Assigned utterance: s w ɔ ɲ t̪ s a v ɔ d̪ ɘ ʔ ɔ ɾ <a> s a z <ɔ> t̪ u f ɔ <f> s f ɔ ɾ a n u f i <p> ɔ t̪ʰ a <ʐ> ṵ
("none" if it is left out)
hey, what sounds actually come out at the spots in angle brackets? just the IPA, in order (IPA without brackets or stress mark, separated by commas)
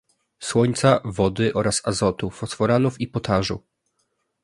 a, ɔ, none, p, ʐ